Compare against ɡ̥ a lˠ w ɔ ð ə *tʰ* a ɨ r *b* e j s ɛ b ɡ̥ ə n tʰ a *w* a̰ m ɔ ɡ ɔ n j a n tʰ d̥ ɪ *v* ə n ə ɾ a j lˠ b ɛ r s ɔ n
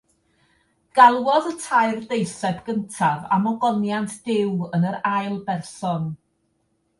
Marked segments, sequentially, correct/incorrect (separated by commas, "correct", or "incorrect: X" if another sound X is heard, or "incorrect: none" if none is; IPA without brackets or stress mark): correct, incorrect: d, incorrect: v, incorrect: w